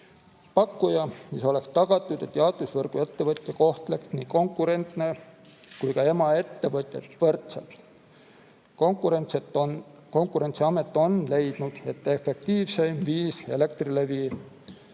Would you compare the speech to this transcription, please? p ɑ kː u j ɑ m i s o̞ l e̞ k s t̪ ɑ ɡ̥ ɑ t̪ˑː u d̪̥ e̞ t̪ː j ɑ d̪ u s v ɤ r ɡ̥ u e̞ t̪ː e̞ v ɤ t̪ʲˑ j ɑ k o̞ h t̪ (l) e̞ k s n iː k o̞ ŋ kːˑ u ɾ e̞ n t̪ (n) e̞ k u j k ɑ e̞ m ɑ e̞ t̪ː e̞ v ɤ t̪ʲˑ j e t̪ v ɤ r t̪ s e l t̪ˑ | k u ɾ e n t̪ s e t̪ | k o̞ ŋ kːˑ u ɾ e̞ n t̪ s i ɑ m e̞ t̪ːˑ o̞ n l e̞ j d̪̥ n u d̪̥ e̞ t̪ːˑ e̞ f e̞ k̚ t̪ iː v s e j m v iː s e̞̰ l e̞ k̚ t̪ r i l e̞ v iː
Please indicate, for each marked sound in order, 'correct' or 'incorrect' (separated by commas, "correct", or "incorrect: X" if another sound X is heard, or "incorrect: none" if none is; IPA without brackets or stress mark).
correct, correct